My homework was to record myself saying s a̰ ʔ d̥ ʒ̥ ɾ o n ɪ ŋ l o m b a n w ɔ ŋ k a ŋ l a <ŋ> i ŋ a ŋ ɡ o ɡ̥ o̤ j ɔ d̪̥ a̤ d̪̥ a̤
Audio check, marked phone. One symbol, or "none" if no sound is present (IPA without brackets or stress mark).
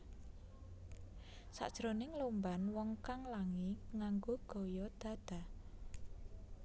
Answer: ŋ